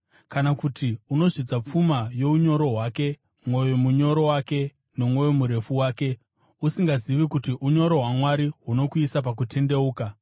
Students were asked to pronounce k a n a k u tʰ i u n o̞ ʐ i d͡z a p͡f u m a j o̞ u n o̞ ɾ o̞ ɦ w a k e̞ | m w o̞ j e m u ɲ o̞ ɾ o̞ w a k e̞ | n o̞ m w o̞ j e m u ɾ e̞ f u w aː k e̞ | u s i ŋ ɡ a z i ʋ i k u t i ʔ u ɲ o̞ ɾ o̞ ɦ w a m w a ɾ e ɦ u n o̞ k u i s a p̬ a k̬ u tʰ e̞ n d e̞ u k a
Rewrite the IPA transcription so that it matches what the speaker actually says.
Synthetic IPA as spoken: k a n a k u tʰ i u n o̞ ʐ i d͡z a p͡f u m a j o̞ u ɲ o̞ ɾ o̞ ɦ w a k e̞ | m w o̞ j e m u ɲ o̞ ɾ o̞ w a k e̞ | n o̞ m w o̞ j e m u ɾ e̞ f u w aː k e̞ | u s i ŋ ɡ a z i ʋ i k u t i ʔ u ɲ o̞ ɾ o̞ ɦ w a m w a ɾ i ɦ u n o̞ k u i s a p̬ a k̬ u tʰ e̞ n d e̞ uː k a